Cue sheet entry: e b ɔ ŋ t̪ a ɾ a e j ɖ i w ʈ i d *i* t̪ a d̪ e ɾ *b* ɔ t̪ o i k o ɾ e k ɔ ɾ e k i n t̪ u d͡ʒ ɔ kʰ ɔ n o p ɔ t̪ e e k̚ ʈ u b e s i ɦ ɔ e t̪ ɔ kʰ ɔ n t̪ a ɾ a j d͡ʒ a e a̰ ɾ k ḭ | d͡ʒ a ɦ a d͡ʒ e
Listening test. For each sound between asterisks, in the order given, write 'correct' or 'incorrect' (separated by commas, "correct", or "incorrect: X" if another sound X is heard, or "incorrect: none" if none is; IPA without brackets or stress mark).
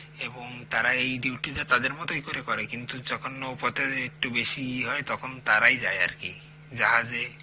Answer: incorrect: a, incorrect: m